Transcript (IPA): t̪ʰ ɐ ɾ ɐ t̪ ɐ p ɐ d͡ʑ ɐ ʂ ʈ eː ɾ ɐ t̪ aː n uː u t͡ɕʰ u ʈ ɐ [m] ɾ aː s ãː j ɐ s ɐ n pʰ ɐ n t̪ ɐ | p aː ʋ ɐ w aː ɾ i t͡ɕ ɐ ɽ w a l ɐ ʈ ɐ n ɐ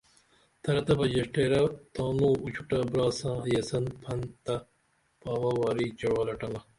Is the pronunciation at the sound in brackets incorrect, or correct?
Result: incorrect